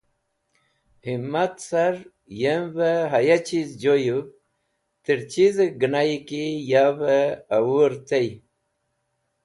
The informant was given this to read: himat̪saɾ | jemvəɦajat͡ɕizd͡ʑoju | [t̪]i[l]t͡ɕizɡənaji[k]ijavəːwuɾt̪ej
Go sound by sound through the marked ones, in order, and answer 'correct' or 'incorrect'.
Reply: correct, incorrect: ɾ, correct

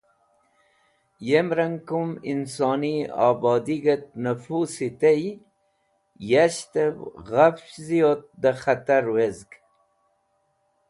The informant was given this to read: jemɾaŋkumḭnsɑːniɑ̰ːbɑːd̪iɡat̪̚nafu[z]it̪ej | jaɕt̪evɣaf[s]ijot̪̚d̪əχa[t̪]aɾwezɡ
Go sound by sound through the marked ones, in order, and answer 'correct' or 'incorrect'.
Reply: incorrect: s, incorrect: z, correct

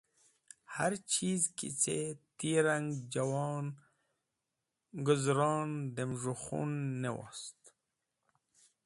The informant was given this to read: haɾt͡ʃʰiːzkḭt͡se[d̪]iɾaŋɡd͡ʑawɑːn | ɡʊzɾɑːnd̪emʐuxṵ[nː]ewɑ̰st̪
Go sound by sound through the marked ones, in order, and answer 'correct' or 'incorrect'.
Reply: incorrect: t̪, correct

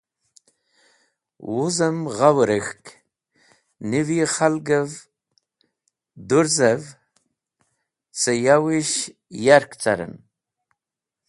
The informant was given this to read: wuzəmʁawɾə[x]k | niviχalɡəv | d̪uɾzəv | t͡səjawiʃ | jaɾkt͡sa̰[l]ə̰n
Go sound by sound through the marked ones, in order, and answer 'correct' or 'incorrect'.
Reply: correct, incorrect: ɾ

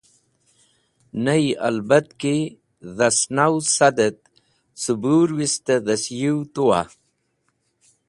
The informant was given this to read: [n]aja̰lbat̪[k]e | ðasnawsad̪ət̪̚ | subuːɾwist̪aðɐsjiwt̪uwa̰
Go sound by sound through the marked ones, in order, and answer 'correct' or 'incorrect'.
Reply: correct, correct

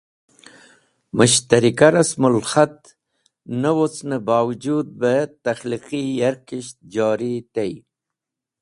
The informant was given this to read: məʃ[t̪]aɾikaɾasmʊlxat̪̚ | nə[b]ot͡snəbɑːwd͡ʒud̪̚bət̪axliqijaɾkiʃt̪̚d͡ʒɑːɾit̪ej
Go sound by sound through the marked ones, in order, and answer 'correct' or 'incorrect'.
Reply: correct, incorrect: w

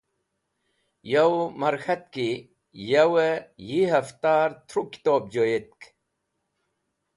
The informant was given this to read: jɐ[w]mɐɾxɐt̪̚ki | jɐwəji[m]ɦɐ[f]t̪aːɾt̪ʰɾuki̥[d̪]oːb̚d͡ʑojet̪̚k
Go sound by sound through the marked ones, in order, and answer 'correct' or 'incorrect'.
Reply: correct, incorrect: none, correct, incorrect: t̪

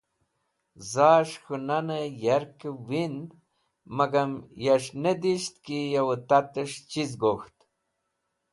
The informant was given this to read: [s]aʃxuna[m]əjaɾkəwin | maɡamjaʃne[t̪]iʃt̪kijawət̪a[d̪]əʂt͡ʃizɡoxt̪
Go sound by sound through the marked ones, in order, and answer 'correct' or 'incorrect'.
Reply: incorrect: z, incorrect: n, incorrect: d̪, incorrect: t̪

